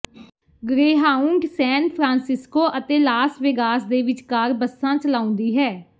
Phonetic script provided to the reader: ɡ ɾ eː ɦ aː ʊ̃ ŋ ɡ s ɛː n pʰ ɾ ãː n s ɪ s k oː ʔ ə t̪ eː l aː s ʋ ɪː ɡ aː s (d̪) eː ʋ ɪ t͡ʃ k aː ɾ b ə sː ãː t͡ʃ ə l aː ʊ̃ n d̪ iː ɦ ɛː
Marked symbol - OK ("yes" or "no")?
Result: yes